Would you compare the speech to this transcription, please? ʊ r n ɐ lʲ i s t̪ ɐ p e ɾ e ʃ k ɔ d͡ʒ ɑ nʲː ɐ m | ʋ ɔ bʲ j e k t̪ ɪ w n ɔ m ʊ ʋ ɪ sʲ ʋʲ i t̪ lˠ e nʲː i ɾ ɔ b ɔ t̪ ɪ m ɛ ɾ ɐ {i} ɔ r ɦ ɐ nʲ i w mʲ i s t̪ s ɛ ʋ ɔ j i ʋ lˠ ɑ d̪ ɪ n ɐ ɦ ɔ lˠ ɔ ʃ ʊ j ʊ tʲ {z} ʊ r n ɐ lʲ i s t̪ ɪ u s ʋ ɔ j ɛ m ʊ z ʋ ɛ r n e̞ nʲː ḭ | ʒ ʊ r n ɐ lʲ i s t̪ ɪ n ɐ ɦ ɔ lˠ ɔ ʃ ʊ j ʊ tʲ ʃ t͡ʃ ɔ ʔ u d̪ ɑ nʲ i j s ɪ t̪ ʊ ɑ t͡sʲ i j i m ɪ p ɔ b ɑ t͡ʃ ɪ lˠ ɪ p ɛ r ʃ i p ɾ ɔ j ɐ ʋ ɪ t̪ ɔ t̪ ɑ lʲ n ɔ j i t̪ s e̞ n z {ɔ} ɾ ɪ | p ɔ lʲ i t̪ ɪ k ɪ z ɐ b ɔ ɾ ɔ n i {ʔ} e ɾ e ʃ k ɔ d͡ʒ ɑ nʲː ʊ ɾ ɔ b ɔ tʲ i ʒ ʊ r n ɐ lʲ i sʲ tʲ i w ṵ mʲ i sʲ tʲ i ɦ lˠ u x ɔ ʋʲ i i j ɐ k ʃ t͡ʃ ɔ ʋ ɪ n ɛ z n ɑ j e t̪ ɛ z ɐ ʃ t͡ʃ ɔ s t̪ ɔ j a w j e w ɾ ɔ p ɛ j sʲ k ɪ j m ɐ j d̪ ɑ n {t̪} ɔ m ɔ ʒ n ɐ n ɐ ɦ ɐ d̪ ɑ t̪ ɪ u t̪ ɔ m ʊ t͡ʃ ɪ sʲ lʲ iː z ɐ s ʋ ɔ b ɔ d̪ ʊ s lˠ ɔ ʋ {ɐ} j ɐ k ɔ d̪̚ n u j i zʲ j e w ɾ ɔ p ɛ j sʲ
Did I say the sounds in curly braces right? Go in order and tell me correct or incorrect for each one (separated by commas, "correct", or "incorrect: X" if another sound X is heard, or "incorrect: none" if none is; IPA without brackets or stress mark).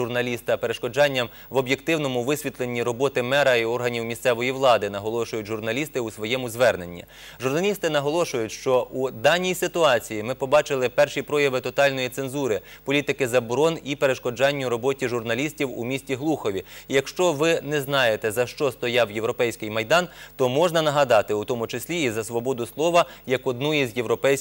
correct, incorrect: ʒ, incorrect: u, incorrect: p, correct, correct